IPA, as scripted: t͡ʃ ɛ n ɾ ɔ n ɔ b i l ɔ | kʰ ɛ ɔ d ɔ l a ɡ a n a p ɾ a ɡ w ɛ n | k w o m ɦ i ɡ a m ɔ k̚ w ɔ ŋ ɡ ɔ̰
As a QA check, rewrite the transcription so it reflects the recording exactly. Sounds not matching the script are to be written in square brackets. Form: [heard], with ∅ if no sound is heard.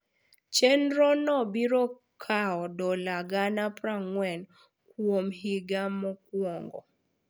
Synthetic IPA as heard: t͡ʃ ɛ n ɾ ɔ n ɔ b i [ɾ] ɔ | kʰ [a] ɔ d ɔ l a ɡ a n a p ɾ a [ŋ] w ɛ n | k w o m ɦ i ɡ a m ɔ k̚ w ɔ ŋ ɡ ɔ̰